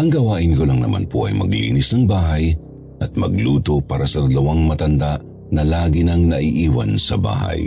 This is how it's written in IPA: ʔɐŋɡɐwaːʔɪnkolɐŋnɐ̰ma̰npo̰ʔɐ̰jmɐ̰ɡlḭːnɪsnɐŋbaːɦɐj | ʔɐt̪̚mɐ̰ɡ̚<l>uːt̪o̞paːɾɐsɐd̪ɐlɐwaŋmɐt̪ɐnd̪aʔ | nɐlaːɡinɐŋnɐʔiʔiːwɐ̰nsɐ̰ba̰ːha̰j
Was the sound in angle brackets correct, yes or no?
yes